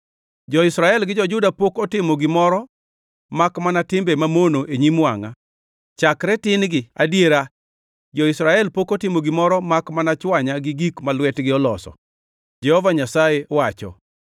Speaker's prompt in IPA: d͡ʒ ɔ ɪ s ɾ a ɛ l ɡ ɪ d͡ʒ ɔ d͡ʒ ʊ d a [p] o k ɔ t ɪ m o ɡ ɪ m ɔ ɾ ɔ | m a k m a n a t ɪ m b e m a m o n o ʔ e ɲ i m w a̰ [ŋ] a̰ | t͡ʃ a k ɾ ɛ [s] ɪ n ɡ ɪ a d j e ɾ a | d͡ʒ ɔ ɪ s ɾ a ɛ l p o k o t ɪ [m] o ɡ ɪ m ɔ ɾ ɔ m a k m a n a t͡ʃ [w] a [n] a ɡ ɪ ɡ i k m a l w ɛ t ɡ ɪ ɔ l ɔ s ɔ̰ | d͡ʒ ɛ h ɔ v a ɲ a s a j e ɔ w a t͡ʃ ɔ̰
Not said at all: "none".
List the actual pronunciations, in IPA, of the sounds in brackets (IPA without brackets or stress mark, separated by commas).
p, ŋ, t, m, w, ɲ